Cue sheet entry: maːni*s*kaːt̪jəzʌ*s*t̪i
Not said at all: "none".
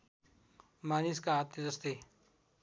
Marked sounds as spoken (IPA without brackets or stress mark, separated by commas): s, s